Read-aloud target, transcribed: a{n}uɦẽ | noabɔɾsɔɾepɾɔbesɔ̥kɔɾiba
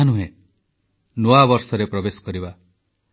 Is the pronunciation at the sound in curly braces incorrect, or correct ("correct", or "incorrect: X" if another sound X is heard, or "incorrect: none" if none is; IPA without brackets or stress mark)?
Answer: correct